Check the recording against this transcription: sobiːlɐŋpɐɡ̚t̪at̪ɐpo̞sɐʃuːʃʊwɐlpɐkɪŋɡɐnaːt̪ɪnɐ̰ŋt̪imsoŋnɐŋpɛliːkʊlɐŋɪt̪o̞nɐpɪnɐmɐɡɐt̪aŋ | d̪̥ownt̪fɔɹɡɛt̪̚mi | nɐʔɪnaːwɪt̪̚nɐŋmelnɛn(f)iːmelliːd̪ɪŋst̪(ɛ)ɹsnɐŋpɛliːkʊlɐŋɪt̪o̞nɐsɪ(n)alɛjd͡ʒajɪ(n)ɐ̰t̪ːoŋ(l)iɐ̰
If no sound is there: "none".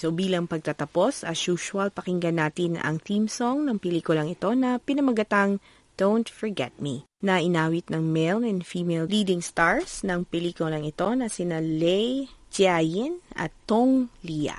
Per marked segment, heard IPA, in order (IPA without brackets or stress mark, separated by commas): f, a, n, n, l